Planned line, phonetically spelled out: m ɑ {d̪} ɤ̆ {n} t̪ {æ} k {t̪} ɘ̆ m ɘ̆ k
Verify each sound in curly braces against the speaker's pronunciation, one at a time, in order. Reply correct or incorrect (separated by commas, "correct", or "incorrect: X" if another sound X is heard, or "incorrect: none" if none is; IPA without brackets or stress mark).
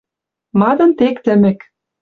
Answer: correct, correct, incorrect: e, correct